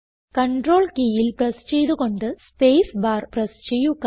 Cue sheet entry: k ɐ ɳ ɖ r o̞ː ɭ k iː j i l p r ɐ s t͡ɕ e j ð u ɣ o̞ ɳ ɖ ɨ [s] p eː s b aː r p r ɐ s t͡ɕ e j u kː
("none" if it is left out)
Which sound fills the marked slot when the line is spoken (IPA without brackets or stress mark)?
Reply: s